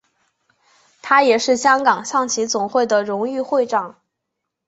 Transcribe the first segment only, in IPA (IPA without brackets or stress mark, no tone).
t̪ʰ